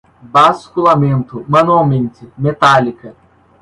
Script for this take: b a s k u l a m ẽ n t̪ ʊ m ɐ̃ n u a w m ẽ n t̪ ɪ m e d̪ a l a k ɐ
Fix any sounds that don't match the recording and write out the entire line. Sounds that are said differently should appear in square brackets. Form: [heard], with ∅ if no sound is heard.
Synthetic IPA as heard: b a s k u l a m ẽ n t̪ ʊ m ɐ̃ n u a w m ẽ n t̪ ɪ m e [t̪] a l [i] k ɐ